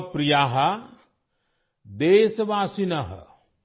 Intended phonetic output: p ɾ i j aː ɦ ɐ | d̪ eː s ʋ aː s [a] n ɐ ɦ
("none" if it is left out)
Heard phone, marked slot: i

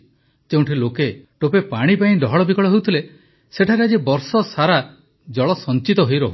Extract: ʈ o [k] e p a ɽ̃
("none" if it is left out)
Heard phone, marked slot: p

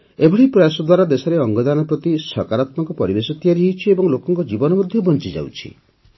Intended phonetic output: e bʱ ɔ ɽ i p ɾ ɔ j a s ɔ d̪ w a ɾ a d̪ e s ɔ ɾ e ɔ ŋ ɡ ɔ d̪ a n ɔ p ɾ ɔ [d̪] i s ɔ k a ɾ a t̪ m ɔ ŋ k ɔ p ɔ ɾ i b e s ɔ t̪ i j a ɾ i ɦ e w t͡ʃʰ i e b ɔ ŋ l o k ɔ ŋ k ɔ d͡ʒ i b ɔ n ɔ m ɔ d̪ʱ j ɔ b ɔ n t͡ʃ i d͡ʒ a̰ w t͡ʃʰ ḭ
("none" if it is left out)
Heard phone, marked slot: t̪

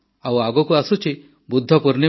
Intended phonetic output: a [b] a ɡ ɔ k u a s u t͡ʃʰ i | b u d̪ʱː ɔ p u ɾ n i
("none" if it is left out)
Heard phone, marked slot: w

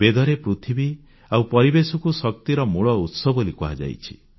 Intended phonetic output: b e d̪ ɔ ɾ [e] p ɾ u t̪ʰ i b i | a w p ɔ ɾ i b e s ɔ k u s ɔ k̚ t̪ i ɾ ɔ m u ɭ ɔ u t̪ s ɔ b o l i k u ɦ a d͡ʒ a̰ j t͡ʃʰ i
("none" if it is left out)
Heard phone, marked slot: e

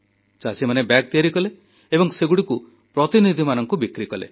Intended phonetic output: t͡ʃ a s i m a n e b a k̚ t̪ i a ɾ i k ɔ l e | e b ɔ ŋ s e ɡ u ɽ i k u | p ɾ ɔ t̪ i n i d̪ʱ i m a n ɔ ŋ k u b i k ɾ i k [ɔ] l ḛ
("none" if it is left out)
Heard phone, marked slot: ɔ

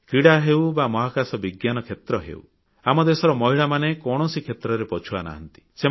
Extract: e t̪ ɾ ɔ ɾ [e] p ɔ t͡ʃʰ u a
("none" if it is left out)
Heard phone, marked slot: e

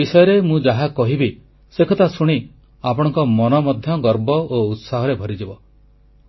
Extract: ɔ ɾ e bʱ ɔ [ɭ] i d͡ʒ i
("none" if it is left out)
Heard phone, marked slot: ɾ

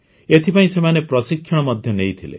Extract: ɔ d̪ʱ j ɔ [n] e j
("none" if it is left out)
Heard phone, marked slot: n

